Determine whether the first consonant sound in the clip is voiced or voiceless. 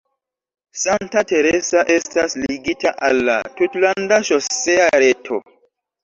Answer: voiceless